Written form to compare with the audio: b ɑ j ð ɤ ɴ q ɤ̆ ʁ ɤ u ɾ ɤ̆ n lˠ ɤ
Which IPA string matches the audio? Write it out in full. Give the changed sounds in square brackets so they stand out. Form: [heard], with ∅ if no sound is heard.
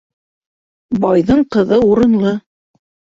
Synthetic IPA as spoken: b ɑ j ð ɤ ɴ q ɤ̆ [ð] ɤ u ɾ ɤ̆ n lˠ ɤ